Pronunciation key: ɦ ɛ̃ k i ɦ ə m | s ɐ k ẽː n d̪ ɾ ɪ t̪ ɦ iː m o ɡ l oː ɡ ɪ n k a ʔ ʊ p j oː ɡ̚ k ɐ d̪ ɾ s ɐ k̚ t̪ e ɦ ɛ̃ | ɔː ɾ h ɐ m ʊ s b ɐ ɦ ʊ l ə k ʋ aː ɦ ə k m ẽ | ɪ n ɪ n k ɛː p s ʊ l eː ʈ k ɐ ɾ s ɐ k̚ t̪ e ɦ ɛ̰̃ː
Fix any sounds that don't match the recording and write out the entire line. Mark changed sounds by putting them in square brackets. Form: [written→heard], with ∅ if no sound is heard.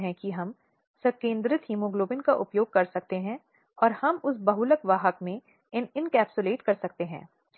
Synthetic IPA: ɦ ɛ̃ k i ɦ [ə→ɐ] m | s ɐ k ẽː n d̪ ɾ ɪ t̪ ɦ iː m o ɡ l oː [ɡ→b] ɪ n k a ʔ ʊ p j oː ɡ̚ k ɐ [d̪→∅] ɾ s ɐ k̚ t̪ e ɦ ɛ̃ | ɔː ɾ h ɐ m ʊ s b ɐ ɦ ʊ l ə k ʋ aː ɦ ə k m ẽ | ɪ n ɪ n k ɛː p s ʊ l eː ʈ k ɐ ɾ s ɐ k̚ t̪ e ɦ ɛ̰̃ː

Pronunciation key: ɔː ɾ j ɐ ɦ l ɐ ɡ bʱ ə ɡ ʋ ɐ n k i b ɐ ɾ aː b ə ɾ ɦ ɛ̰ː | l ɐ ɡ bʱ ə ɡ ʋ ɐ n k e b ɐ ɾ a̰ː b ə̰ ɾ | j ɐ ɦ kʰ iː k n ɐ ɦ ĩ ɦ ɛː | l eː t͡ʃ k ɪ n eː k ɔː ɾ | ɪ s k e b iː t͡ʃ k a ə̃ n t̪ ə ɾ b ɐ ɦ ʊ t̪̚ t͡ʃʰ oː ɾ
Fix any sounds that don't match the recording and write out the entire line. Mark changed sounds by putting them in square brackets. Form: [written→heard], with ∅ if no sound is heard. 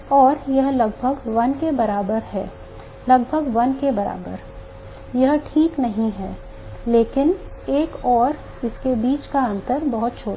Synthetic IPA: ɔː ɾ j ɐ ɦ l ɐ ɡ bʱ ə ɡ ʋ ɐ n k [i→e] b ɐ ɾ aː b ə ɾ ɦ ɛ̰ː | l ɐ ɡ bʱ ə ɡ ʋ ɐ n k e b ɐ ɾ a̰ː b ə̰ ɾ | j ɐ ɦ [kʰ→ʈʰ] iː k n ɐ ɦ ĩ ɦ ɛː | l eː [t͡ʃ→∅] k ɪ n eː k ɔː ɾ | ɪ s k e b iː t͡ʃ k a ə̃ n t̪ ə ɾ b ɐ ɦ ʊ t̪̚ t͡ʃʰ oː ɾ

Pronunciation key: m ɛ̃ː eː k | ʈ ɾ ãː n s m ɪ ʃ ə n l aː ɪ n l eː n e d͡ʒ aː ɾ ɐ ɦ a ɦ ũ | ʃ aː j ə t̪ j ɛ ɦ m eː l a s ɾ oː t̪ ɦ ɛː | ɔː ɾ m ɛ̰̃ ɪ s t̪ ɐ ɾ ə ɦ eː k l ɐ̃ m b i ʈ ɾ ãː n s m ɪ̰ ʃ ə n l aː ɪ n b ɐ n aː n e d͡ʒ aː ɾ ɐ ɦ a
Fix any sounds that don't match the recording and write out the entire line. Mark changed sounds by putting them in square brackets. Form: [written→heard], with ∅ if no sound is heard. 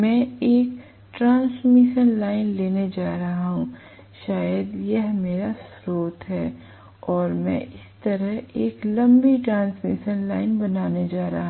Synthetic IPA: m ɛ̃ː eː k | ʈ ɾ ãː n s m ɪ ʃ ə n l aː ɪ n l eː n e d͡ʒ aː ɾ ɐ ɦ a ɦ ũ | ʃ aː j ə [t̪→d̪] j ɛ ɦ m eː [l→ɾ] a s ɾ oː t̪ ɦ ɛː | ɔː ɾ m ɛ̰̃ ɪ s t̪ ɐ ɾ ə ɦ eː k l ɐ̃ m b i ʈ ɾ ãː n s m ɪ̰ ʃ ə n l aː ɪ n b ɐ n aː n e d͡ʒ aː ɾ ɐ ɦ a

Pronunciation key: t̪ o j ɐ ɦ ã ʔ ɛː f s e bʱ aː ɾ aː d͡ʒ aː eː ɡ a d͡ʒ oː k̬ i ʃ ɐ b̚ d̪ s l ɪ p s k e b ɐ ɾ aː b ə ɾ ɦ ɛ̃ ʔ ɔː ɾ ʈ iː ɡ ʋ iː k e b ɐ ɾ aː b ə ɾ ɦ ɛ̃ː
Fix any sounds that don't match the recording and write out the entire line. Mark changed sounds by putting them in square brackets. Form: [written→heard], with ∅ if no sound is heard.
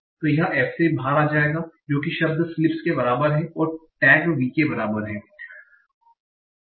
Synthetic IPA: t̪ o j ɐ ɦ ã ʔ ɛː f s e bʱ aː ɾ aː d͡ʒ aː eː ɡ a d͡ʒ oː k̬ i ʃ ɐ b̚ d̪ s l ɪ p s k e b ɐ ɾ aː b ə ɾ ɦ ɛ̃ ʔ ɔː ɾ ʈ [iː→ɛː] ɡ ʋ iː k e b ɐ ɾ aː b ə ɾ ɦ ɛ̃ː

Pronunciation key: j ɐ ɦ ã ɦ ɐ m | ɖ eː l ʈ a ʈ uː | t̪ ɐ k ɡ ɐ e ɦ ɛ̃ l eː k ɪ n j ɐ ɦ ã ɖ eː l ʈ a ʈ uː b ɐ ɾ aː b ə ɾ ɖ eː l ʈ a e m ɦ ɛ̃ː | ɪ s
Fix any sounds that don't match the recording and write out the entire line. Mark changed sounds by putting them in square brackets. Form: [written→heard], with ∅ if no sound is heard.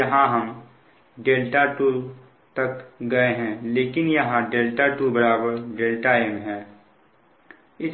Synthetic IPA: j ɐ ɦ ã ɦ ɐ m | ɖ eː l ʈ a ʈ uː | t̪ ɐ k ɡ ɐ e ɦ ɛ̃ l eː k ɪ n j ɐ ɦ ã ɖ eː l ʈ a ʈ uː b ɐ ɾ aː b ə ɾ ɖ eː l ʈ a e m ɦ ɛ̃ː | ɪ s

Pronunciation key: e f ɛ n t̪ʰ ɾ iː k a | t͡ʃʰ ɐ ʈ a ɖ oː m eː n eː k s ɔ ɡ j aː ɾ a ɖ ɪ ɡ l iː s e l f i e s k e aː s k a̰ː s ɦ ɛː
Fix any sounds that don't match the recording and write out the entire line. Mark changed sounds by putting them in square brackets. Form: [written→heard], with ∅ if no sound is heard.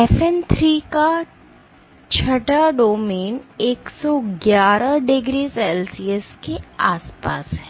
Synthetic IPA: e f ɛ n t̪ʰ ɾ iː k a | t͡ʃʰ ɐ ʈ a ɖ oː m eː n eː k s ɔ ɡ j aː ɾ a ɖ ɪ ɡ [l→ɾ] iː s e l [f→s] i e s k e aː s [k→p] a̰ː s ɦ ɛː

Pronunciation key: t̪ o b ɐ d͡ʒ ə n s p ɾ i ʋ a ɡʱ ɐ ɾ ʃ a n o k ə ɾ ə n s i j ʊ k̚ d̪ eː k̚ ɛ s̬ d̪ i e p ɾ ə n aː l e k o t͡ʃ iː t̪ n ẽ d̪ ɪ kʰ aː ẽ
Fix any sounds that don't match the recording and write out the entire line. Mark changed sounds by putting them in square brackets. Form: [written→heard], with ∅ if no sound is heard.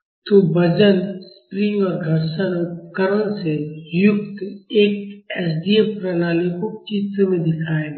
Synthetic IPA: t̪ o b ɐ d͡ʒ ə n s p ɾ i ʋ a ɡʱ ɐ ɾ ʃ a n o k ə ɾ ə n s [i→e] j ʊ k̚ [d̪→t̪] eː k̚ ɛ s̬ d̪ i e p ɾ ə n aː l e k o t͡ʃ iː t̪ [n→m] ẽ d̪ ɪ kʰ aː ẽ

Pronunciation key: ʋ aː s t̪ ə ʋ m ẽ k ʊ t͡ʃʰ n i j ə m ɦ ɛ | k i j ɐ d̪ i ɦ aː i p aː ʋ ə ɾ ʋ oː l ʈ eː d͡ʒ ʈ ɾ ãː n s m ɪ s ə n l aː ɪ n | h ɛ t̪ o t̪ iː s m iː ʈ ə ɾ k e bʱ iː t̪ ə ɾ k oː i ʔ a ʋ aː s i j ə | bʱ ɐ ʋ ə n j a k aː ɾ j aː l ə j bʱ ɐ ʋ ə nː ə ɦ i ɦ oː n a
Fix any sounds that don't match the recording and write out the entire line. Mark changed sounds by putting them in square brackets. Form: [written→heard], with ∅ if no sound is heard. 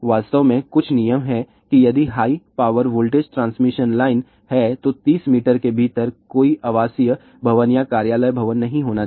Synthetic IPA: ʋ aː s t̪ ə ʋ m ẽ k ʊ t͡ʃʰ n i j ə m ɦ ɛ | k i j ɐ d̪ i ɦ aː i p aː ʋ ə ɾ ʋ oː l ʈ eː d͡ʒ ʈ ɾ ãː n s m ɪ [s→ʃ] ə n l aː ɪ n | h ɛ t̪ o t̪ iː s m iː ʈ ə ɾ k e bʱ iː t̪ ə ɾ k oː i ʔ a ʋ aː s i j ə | bʱ ɐ ʋ ə n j a k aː ɾ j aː l ə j bʱ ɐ ʋ ə nː [ə→ɐ] ɦ [i→ĩ] ɦ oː n a

